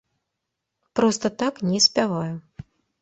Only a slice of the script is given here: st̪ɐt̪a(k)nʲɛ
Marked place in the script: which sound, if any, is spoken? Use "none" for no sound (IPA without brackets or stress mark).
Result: k